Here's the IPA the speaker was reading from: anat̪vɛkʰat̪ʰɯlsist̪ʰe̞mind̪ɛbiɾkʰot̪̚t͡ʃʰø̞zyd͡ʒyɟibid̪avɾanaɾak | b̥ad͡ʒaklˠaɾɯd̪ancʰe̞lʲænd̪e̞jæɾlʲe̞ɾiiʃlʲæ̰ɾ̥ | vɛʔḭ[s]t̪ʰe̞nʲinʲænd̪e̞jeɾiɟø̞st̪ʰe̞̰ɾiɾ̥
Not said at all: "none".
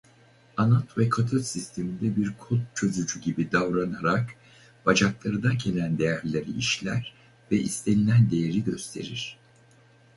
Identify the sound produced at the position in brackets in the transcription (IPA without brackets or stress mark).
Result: s